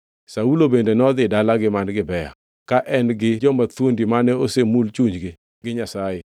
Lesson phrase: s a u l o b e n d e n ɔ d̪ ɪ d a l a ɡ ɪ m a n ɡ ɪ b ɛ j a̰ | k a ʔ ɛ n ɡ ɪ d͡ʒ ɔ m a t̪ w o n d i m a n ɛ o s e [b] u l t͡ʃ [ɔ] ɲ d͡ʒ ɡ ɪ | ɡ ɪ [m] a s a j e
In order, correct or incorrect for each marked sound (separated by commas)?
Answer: incorrect, incorrect, incorrect